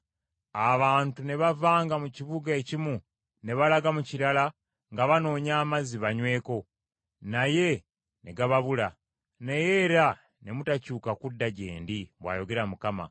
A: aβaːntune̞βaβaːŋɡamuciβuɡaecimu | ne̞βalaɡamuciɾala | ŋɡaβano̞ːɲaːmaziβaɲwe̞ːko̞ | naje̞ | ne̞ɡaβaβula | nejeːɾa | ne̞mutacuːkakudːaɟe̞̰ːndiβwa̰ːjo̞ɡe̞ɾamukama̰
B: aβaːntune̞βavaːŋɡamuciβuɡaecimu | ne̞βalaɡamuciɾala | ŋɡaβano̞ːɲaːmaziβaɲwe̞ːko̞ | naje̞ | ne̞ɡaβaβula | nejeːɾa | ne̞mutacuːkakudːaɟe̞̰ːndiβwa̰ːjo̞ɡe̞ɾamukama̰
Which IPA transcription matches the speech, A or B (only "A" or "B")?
B